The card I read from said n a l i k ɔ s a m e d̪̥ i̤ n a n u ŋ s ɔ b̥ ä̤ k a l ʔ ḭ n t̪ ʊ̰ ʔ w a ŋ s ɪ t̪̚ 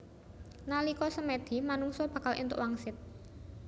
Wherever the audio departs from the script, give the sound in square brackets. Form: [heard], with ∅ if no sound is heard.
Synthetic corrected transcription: n a l i k ɔ s [ə] m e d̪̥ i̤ [m] a n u ŋ s ɔ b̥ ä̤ k a l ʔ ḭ n t̪ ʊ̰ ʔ w a ŋ s ɪ t̪̚

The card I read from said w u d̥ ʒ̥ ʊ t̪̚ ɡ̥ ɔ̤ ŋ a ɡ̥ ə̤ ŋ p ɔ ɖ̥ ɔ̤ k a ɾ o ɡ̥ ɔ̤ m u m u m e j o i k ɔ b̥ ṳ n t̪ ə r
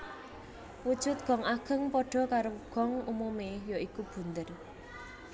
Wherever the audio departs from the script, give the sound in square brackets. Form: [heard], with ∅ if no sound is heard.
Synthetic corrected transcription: w u d̥ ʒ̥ ʊ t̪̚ ɡ̥ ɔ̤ ŋ a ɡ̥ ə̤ ŋ p ɔ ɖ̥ ɔ̤ k a ɾ o ɡ̥ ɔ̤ [ŋ] u m u m e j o i k [u] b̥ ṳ n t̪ ə r

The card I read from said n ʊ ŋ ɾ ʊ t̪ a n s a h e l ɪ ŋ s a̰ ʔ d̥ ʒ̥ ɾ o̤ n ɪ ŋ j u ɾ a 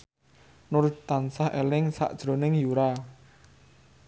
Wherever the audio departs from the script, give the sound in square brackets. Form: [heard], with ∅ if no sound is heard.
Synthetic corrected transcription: n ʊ [∅] ɾ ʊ t̪ a n s a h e l ɪ ŋ s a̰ ʔ d̥ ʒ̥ ɾ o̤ n ɪ ŋ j u ɾ a

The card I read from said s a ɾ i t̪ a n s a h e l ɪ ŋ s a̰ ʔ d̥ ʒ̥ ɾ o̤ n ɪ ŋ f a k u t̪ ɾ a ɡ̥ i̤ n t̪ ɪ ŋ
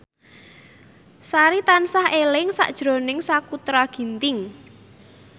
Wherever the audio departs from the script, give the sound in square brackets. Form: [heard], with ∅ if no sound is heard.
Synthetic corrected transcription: s a ɾ i t̪ a n s a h e l ɪ ŋ s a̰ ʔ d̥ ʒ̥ ɾ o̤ n ɪ ŋ [s] a k u t̪ ɾ a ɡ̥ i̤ n t̪ ɪ ŋ

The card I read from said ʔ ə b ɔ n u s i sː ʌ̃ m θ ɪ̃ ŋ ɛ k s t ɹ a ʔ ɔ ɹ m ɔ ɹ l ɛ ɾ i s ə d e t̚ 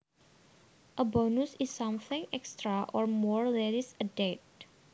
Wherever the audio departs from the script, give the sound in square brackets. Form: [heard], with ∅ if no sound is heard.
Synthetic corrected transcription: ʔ ə b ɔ n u s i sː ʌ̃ m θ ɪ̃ ŋ ɛ k s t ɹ a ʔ ɔ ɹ m ɔ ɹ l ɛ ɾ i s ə d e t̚

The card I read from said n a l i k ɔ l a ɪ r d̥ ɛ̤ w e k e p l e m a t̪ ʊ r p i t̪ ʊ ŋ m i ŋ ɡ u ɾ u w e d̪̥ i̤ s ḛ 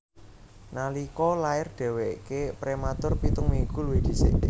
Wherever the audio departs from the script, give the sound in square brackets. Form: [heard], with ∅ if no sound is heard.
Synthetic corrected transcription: n a l i k ɔ l a ɪ r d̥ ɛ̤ w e k e p [ɾ] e m a t̪ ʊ r p i t̪ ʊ ŋ m i ŋ ɡ u [l] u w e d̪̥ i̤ s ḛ

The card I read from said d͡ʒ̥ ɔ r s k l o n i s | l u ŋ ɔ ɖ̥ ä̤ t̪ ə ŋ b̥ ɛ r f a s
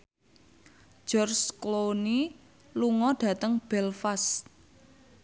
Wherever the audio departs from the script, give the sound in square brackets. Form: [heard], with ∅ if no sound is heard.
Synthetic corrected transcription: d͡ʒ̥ ɔ r s k l o n i [∅] | l u ŋ ɔ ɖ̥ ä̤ t̪ ə ŋ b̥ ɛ [l] f a s

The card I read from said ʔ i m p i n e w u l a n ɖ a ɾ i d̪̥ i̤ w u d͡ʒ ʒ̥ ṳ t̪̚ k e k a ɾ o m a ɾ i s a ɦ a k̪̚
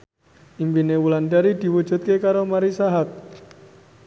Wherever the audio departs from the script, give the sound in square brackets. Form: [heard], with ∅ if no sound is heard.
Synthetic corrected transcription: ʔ i m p i n e w u l a n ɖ a ɾ i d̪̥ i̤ w u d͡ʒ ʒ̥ ṳ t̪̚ k e k a ɾ o m a ɾ i s a ɦ a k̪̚

